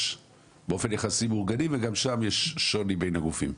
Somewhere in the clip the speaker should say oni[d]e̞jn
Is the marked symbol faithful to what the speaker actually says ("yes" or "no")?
no